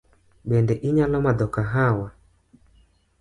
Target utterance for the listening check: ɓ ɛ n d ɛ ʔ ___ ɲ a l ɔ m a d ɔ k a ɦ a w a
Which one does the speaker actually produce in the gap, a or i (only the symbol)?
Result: i